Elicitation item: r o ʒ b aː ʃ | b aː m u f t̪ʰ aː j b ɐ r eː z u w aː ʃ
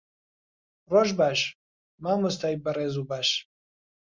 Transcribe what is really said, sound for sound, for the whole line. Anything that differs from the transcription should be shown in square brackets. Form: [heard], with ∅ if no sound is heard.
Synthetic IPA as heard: r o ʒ b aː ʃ | [m] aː m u [s] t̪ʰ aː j b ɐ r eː z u [b] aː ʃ